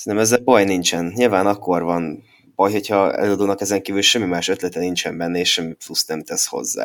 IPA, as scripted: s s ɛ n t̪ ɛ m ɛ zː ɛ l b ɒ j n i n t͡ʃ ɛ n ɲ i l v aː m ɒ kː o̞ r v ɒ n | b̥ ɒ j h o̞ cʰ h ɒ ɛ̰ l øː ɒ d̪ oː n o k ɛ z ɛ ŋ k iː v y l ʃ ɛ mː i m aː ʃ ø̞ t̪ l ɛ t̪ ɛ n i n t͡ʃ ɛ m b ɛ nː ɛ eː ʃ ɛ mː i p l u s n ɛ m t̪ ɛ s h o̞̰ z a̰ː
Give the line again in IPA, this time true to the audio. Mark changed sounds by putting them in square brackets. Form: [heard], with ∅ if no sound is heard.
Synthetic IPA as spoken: s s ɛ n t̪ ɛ m ɛ zː ɛ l b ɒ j n i n t͡ʃ ɛ n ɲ i l v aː [n] ɒ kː o̞ r v ɒ n | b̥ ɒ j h o̞ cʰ h ɒ ɛ̰ l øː ɒ d̪ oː n [ɒ] k ɛ z ɛ ŋ k iː v y l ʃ ɛ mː i m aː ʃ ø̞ t̪ l ɛ t̪ ɛ n i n t͡ʃ ɛ m b ɛ nː ɛ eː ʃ ɛ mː i p l u s n ɛ m t̪ ɛ s h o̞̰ [zː] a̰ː